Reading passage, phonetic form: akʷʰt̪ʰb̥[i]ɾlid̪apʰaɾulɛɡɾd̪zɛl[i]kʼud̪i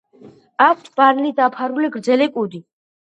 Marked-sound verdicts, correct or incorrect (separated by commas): incorrect, incorrect